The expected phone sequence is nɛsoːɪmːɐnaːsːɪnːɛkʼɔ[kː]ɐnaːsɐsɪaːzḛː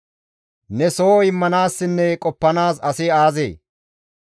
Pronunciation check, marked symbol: incorrect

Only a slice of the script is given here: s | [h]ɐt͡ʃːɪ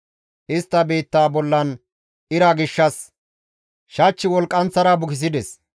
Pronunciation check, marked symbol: incorrect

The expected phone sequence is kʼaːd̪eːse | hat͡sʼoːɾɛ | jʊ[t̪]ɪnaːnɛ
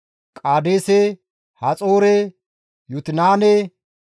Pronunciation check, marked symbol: correct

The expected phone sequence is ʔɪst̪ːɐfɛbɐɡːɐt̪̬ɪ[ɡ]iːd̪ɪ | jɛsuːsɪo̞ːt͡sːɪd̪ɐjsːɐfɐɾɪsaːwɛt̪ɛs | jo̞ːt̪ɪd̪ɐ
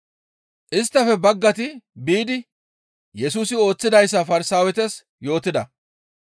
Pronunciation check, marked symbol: incorrect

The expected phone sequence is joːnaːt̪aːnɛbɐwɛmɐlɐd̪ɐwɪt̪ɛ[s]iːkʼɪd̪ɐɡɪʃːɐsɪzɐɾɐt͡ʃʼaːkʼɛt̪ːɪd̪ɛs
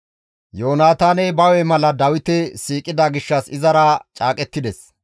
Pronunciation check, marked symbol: correct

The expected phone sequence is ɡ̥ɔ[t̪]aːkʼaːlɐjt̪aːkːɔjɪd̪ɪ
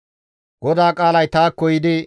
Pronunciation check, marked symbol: incorrect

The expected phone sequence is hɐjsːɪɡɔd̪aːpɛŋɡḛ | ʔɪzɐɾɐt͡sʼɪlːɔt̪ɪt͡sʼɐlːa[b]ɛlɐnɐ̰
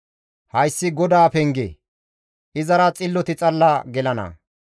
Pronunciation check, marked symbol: incorrect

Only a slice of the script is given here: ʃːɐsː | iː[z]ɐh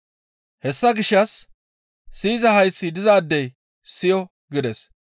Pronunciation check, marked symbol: correct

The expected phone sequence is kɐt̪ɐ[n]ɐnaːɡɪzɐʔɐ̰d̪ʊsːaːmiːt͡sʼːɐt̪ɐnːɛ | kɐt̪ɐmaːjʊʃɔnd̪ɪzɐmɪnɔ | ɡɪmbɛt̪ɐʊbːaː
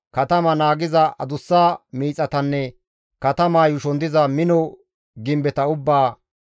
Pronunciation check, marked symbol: incorrect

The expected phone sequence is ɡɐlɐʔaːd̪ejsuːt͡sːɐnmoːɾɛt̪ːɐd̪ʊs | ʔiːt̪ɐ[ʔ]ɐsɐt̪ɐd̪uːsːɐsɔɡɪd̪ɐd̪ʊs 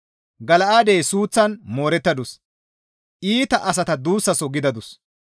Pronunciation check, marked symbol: correct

